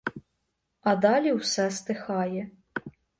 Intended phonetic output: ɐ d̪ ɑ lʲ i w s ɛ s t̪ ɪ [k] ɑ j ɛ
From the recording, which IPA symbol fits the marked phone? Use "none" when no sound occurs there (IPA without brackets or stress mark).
x